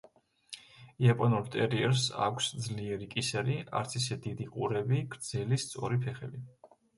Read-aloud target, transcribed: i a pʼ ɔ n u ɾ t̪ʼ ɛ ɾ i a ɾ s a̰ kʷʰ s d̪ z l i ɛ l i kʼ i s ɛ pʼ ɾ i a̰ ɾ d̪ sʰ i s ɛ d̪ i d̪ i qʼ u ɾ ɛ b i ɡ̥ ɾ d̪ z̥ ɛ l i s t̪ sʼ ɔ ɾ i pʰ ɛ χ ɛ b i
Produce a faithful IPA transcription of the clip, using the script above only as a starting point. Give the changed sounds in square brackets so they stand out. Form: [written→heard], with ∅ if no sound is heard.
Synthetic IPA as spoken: i a pʼ ɔ n u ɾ t̪ʼ ɛ ɾ i [a→ɛ] ɾ s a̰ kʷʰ s d̪ z l i ɛ [l→ɾ] i kʼ i s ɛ [pʼ→∅] ɾ i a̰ ɾ [d̪→t̪] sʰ i s ɛ d̪ i d̪ i qʼ u ɾ ɛ b i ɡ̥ ɾ d̪ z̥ ɛ l i s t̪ sʼ ɔ ɾ i pʰ ɛ χ ɛ b i